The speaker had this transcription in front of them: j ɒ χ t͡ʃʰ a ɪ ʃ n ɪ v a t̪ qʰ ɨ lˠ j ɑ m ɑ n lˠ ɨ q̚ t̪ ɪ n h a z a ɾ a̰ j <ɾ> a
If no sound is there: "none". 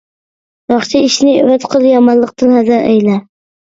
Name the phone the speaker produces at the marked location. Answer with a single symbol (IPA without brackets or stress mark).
l